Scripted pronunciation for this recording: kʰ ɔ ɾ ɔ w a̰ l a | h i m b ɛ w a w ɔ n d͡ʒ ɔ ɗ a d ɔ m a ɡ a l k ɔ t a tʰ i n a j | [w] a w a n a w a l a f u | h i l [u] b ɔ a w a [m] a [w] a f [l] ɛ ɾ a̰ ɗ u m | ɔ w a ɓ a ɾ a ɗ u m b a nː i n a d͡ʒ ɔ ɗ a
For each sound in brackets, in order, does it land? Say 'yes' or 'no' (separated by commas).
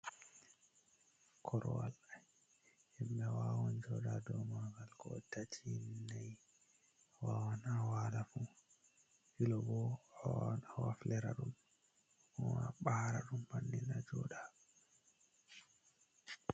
yes, no, no, yes, yes